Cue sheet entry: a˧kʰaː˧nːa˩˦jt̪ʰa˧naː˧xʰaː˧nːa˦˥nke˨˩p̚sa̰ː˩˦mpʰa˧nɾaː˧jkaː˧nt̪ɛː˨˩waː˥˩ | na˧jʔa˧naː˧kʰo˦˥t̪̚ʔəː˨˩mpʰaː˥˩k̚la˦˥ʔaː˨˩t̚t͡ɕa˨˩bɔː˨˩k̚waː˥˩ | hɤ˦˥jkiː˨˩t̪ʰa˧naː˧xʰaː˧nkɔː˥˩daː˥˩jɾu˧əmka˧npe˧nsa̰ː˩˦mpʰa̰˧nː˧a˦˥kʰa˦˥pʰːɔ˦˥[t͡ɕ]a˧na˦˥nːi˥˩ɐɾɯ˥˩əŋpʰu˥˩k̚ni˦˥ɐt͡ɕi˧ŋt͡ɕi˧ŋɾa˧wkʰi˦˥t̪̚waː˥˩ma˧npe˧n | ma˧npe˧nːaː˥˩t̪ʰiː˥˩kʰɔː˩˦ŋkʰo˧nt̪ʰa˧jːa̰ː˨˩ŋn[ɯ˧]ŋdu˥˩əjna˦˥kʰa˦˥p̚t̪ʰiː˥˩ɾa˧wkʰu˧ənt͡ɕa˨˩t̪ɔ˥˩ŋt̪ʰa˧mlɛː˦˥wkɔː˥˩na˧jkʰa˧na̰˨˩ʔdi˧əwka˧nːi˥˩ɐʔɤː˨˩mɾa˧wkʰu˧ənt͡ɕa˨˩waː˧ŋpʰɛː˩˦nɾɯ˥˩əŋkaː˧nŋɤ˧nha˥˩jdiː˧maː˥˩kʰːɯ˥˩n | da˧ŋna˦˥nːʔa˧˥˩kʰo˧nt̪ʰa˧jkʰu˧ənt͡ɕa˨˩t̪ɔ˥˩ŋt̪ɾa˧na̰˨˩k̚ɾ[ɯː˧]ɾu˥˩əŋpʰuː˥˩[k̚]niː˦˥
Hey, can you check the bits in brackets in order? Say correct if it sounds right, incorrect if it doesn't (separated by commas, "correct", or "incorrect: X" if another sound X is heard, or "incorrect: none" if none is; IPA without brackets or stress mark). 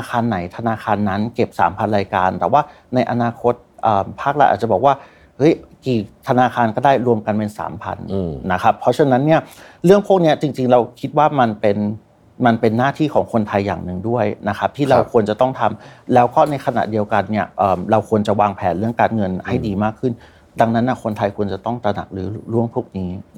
incorrect: t͡ɕʰ, incorrect: ɯ˨˩, incorrect: ɯː˩˦, correct